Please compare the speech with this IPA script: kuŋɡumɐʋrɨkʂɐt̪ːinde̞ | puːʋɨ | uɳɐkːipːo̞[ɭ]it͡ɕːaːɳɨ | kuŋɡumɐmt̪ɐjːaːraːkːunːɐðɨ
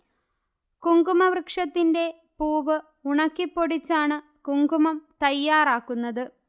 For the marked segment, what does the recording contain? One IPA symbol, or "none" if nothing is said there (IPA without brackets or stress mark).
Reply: ɽ